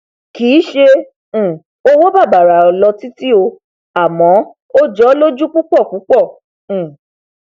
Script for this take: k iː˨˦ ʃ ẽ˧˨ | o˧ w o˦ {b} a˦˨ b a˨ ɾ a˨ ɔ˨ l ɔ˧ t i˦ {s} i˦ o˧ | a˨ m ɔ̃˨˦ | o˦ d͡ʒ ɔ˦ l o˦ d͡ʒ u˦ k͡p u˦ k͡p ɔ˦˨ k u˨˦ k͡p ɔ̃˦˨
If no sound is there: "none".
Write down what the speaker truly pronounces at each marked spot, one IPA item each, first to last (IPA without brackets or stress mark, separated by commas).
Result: b, t